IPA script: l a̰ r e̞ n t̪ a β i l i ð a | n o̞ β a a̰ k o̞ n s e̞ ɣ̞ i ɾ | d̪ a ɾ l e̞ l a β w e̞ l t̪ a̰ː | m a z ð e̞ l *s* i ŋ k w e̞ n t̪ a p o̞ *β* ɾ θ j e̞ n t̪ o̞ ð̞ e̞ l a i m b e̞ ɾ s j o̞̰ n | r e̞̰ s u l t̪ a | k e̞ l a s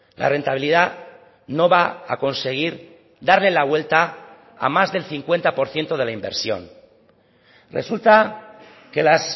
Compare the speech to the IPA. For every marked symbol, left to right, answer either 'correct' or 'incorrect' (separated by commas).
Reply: incorrect, incorrect